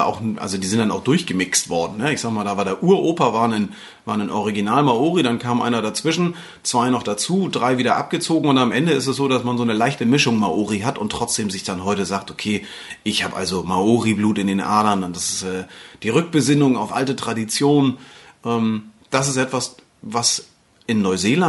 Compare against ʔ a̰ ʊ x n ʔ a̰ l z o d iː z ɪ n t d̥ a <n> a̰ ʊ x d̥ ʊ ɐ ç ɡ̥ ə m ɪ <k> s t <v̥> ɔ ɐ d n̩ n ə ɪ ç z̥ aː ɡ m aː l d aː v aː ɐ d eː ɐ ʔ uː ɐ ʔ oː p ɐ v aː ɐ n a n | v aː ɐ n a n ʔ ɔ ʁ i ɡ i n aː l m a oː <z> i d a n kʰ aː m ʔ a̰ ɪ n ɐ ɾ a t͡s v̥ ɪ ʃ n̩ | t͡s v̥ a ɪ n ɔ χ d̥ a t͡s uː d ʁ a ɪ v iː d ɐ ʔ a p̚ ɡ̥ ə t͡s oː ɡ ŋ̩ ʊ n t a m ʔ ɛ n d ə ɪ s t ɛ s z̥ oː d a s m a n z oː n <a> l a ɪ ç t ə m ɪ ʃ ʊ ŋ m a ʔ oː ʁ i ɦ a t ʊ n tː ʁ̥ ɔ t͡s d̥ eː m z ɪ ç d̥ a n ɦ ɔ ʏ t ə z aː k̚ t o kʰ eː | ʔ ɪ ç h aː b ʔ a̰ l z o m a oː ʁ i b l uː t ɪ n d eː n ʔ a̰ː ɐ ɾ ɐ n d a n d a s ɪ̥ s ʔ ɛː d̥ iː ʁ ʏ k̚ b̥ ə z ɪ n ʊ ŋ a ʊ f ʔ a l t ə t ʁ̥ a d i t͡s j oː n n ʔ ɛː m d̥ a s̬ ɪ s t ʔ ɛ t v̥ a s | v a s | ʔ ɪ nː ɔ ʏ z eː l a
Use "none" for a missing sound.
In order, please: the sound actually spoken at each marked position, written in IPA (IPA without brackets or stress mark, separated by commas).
n, k, v̥, ʁ, ə